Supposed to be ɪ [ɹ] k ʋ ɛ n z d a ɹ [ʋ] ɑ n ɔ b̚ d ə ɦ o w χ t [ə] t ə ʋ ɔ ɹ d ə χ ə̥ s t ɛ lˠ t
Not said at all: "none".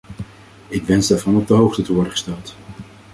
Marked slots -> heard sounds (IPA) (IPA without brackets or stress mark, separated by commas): none, v, ə